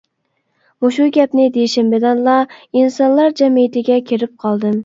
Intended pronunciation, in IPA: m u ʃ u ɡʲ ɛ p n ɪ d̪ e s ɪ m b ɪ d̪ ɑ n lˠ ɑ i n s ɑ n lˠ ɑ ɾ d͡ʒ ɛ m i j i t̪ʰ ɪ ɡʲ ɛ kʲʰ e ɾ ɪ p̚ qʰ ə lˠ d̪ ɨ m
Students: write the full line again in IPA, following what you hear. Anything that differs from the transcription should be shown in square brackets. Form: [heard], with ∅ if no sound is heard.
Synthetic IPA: m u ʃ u ɡʲ ɛ p n ɪ d̪ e [ʃ] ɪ m b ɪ d̪ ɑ n lˠ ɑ i n s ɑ n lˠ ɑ ɾ d͡ʒ ɛ m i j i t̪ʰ ɪ ɡʲ ɛ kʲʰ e ɾ ɪ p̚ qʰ [ɑ] lˠ d̪ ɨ m